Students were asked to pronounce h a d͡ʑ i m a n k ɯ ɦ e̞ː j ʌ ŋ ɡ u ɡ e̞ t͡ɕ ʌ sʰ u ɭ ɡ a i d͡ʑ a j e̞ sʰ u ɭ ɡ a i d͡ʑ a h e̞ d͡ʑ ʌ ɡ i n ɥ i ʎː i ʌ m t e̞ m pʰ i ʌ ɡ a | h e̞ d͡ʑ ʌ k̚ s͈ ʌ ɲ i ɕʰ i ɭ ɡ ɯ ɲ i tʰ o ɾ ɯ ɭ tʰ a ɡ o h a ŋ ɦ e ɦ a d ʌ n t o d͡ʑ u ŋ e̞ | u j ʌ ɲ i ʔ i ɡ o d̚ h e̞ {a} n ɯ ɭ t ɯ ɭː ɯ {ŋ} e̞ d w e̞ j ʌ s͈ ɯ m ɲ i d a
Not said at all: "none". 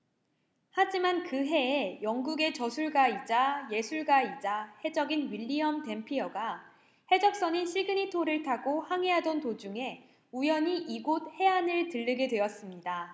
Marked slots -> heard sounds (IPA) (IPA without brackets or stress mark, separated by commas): a, ɡ